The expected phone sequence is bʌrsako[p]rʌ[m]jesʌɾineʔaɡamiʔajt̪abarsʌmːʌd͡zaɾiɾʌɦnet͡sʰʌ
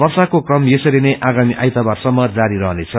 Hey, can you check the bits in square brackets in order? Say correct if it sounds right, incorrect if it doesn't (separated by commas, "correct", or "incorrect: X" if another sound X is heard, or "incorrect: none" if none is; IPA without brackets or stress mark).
incorrect: k, correct